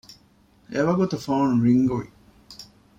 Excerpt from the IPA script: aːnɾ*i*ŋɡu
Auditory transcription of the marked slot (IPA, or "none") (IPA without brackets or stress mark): i